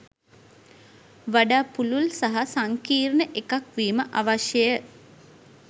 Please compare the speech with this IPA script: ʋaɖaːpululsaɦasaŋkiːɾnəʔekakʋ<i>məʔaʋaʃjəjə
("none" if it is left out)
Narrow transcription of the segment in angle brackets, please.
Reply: iː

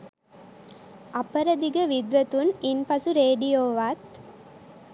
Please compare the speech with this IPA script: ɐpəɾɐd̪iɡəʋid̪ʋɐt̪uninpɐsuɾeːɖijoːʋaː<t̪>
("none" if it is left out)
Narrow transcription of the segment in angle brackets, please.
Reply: t̪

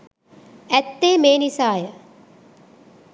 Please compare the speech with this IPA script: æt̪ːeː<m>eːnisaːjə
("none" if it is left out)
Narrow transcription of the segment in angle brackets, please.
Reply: m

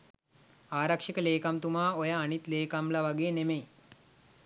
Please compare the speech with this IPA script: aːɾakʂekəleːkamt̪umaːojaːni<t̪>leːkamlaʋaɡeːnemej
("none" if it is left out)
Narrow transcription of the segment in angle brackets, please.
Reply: t̪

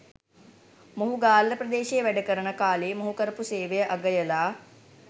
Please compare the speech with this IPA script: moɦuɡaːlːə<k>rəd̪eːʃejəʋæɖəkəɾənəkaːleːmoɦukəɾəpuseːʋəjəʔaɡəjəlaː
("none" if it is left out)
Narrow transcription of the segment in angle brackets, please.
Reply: p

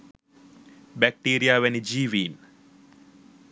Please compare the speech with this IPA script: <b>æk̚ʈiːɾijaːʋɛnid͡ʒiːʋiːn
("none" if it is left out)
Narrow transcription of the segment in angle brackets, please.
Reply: b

